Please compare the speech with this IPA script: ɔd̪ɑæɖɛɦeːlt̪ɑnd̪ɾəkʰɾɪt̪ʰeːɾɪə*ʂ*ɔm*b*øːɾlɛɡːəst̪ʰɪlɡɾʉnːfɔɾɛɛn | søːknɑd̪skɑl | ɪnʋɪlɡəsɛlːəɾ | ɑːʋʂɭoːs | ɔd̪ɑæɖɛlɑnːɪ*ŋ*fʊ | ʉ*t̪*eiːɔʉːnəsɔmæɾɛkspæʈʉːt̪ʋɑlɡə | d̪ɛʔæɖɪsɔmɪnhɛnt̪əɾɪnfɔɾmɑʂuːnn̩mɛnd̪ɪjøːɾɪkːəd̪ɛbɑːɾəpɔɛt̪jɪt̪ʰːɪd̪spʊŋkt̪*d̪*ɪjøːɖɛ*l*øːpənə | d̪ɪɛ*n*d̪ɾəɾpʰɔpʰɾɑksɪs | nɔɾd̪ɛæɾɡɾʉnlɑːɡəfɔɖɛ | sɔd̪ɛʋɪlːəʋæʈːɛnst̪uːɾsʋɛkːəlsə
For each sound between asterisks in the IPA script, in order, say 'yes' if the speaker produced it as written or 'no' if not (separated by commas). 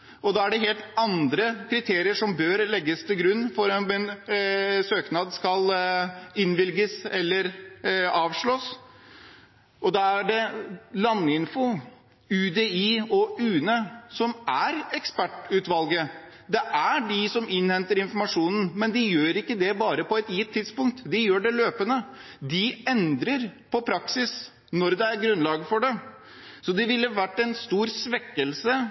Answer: yes, yes, no, no, yes, yes, yes